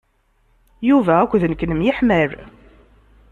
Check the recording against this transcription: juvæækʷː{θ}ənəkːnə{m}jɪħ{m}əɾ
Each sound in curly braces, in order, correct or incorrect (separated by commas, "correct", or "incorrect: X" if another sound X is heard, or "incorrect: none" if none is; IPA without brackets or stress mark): incorrect: ð, correct, correct